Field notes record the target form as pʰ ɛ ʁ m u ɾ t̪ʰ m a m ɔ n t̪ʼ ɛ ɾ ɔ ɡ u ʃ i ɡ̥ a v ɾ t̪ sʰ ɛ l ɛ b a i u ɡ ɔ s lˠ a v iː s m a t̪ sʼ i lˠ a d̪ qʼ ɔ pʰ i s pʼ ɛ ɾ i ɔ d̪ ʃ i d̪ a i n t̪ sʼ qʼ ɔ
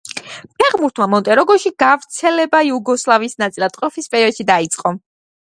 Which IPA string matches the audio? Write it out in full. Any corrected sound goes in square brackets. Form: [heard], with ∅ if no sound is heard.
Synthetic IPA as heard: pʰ ɛ ʁ m u ɾ t̪ʰ m a m ɔ n t̪ʼ ɛ ɾ ɔ ɡ [ɔ] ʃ i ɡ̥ a v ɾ t̪ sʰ ɛ l ɛ b a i u ɡ ɔ s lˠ a v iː s [n] a t̪ sʼ i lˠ a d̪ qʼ ɔ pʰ i s pʼ ɛ ɾ i ɔ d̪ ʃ i d̪ a i [∅] t̪ sʼ qʼ ɔ